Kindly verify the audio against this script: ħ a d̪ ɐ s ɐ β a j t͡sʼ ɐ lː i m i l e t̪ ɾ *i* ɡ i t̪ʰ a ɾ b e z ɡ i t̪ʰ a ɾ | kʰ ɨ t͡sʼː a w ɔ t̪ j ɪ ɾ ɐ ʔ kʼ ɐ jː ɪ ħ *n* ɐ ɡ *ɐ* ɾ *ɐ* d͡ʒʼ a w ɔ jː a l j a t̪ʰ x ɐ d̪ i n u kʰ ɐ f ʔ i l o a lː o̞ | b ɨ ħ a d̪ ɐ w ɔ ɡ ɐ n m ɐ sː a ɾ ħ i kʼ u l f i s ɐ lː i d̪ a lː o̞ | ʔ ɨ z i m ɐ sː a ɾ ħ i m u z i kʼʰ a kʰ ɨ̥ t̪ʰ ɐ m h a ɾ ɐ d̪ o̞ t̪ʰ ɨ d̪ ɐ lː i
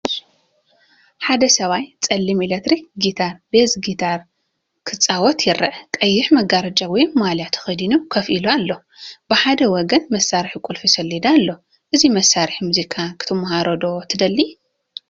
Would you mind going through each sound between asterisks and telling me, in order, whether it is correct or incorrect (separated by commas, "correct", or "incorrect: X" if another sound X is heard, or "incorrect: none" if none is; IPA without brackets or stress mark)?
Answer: correct, incorrect: m, incorrect: a, correct